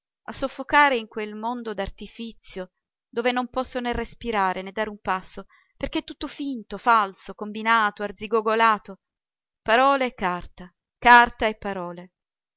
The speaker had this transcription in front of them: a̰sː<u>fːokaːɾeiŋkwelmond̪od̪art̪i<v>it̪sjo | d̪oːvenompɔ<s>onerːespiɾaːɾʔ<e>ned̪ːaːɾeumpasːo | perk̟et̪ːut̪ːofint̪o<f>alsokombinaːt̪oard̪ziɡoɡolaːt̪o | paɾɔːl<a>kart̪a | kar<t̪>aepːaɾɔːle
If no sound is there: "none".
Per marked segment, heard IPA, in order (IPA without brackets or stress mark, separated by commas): o, f, sː, e, f, e, t̪